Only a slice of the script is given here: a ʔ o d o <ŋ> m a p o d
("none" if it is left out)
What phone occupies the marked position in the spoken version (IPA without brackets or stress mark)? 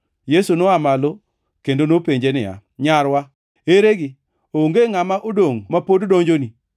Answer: ŋ